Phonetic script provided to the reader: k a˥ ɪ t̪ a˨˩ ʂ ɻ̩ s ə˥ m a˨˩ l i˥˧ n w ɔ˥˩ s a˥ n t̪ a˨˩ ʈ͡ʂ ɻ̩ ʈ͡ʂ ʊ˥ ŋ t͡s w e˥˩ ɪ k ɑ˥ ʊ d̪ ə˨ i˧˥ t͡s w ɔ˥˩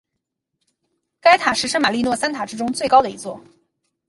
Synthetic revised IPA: k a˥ ɪ t̪ʰ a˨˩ ʂ ɻ̩ ʂ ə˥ m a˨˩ l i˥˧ n w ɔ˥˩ s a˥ n t̪ʰ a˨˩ ʈ͡ʂ ɻ̩ ʈ͡ʂ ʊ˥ ŋ t͡s w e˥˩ ɪ k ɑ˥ ʊ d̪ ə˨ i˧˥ t͡s w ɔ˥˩